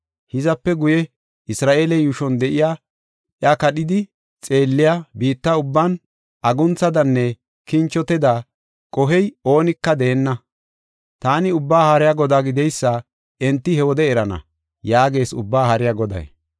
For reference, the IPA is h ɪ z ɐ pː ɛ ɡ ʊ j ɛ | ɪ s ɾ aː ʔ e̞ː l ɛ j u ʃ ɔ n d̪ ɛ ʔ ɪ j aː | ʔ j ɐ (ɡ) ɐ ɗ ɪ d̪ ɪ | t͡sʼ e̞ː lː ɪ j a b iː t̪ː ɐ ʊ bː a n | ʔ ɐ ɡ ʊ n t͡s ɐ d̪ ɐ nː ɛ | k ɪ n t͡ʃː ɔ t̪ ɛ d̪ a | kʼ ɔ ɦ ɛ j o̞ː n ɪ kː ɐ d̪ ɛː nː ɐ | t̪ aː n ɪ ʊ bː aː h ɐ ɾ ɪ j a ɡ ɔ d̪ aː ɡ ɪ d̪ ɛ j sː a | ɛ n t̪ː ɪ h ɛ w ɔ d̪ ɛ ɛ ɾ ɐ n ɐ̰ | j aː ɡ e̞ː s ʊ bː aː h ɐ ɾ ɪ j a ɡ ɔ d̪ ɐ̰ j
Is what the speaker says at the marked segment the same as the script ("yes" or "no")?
no